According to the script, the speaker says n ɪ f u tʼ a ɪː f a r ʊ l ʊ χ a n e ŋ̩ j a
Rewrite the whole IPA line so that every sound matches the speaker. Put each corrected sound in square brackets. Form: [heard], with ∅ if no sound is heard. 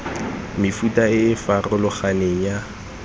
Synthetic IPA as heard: [m] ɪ f u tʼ a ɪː f a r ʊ l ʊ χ a n e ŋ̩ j a